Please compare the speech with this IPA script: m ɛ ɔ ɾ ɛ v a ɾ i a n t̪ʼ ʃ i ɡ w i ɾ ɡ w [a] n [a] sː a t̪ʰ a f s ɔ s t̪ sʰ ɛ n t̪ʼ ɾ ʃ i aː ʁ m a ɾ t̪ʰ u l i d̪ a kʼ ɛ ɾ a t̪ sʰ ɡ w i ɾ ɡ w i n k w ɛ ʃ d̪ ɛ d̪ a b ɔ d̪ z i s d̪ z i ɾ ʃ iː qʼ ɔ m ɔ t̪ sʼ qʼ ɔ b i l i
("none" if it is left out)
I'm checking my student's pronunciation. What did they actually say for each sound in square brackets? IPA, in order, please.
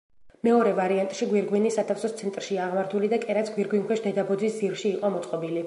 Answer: i, i

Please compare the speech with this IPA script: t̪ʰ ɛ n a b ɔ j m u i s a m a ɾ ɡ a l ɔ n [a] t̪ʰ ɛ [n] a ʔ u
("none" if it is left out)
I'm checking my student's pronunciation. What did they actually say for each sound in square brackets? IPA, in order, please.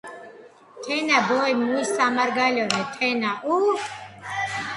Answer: ɛ, n

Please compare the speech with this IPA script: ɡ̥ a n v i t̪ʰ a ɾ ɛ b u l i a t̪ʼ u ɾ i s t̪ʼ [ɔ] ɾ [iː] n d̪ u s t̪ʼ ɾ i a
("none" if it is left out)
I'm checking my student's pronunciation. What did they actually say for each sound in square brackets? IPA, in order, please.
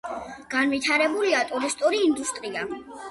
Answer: u, iː

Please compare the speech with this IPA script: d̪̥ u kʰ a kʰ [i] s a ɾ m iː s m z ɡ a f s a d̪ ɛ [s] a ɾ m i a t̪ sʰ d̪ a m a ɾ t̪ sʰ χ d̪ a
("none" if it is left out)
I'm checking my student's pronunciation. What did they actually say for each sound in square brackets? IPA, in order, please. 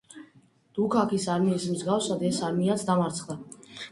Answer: i, s

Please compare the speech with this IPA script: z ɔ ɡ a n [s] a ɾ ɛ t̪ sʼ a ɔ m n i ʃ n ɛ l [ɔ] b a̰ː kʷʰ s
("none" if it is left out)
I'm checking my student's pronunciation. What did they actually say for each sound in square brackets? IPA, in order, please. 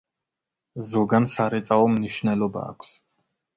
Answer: s, ɔ

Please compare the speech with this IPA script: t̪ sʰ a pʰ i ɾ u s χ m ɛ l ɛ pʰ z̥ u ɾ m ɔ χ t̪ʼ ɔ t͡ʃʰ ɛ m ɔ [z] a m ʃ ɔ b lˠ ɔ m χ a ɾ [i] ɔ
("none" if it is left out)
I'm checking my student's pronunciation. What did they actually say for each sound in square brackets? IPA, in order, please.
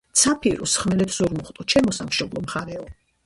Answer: s, ɛ

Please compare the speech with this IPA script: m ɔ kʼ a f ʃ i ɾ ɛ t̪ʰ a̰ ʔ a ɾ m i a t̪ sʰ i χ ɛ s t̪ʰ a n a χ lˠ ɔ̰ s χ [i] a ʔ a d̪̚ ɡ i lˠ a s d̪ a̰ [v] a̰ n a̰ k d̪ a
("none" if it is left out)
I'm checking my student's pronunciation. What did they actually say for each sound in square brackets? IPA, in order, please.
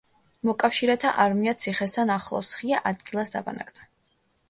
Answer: i, b

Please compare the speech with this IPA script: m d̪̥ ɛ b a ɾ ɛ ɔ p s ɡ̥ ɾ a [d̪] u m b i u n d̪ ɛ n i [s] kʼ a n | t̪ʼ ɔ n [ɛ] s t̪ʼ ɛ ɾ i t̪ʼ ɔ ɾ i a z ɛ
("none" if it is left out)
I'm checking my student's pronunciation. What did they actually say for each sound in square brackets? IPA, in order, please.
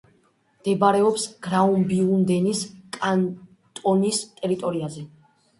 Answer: none, s, i

